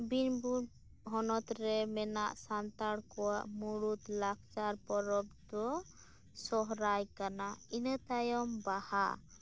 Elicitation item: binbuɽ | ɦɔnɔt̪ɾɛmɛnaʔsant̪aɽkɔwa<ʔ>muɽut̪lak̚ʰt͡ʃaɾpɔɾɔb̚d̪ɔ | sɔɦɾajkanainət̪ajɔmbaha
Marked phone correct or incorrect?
correct